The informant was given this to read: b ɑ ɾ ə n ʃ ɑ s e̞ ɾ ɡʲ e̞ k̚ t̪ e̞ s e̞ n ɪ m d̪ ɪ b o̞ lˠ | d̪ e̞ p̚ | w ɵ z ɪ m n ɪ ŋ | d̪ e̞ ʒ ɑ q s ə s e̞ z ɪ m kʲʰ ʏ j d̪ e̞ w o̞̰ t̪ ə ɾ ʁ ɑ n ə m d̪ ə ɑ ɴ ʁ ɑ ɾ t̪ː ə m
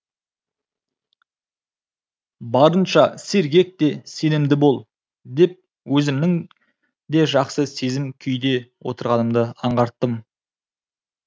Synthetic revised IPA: b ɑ ɾ ə n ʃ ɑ s e̞ ɾ ɡʲ e̞ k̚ t̪ e̞ s e̞ n ɪ m d̪ ɪ b o̞ lˠ | d̪ e̞ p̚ | w ɵ z ɪ m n ɪ ŋ | d̪ e̞ ʒ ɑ q s ə s e̞ z ɪ m kʲʰ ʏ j d̪ e̞ w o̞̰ t̪ ə ɾ ʁ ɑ n ə m d̪ ə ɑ ɴ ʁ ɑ ɾ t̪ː ə m